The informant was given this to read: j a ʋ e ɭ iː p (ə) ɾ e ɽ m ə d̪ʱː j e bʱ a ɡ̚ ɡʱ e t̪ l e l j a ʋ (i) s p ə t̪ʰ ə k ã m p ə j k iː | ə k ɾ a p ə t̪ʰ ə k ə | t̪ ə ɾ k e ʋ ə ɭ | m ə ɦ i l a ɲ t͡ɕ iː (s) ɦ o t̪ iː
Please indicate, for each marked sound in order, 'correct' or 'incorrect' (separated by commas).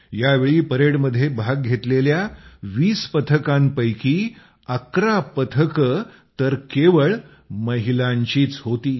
correct, incorrect, incorrect